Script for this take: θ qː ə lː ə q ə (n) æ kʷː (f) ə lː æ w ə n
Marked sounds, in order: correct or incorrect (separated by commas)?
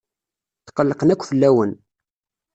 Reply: correct, correct